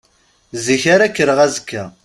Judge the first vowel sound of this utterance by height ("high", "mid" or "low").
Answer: high